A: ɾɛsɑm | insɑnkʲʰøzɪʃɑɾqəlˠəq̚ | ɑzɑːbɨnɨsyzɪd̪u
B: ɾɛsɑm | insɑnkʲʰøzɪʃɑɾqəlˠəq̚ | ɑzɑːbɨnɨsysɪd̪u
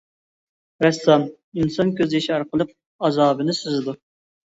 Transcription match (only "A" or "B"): A